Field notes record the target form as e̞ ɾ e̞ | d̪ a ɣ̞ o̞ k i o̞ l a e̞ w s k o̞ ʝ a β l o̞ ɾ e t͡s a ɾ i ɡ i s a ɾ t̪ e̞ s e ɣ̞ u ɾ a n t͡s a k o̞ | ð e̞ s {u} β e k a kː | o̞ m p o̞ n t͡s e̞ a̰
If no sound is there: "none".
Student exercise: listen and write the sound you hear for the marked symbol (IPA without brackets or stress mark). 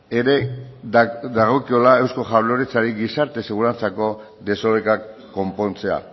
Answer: o